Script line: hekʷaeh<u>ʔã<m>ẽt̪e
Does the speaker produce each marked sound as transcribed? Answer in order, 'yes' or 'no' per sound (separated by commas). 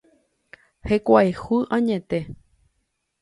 yes, no